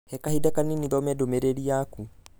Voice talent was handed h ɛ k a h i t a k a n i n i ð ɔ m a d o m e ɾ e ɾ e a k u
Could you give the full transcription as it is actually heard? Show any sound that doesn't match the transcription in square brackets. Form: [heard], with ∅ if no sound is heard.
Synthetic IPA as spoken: h ɛ k a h i [d] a k a n i n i ð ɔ m [ɛ] d o m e ɾ e ɾ [i] a k u